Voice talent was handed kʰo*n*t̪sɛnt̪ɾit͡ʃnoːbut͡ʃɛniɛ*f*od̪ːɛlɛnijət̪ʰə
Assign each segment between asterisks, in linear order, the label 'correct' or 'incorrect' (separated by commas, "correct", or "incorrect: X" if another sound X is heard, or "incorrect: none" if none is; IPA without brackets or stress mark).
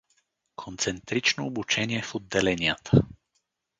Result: correct, correct